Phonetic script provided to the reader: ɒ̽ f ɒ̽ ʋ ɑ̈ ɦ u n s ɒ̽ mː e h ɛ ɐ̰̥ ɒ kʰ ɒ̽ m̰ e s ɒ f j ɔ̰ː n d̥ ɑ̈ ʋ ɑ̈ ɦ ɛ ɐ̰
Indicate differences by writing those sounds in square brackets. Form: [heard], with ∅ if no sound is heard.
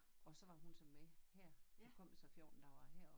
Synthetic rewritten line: ɒ̽ [s] ɒ̽ ʋ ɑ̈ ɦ u n s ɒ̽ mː e h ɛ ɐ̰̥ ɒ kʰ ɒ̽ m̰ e s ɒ f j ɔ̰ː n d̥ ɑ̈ ʋ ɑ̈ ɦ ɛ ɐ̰